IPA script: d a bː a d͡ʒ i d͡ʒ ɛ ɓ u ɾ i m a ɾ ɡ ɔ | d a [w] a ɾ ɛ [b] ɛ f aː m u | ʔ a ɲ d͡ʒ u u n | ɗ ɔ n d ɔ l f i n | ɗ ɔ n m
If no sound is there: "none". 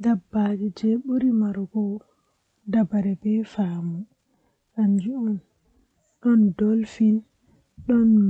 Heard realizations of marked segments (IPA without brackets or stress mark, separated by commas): b, b